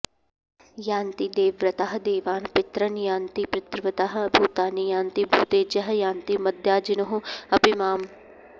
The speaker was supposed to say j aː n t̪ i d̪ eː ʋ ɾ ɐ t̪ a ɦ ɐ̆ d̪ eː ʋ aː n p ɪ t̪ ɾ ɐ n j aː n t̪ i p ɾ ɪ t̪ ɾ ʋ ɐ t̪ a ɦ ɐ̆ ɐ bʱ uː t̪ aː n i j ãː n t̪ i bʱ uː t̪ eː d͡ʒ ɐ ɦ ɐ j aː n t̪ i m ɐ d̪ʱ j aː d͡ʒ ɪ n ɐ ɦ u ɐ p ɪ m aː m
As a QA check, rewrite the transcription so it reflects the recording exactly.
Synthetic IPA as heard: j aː n t̪ i d̪ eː ʋ ɾ ɐ t̪ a ɦ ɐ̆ d̪ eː ʋ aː n p ɪ t̪ ɾ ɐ n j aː n t̪ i p ɾ ɪ t̪ ɾ ʋ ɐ t̪ a ɦ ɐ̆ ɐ bʱ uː t̪ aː n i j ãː n t̪ i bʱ uː t̪ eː d͡ʒ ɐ ɦ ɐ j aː n t̪ i m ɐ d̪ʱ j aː d͡ʒ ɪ n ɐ ɦ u ɐ p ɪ m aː m